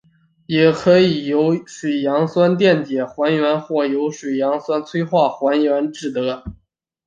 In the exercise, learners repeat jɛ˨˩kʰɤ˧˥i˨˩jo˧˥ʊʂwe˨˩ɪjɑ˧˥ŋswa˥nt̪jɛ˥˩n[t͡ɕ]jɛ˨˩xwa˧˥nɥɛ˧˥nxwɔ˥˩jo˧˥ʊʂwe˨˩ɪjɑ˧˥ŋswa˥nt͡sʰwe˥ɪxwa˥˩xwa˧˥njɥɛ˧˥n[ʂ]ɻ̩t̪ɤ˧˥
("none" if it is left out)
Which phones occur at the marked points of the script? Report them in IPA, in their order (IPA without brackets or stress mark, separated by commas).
t͡ɕ, ʈ͡ʂ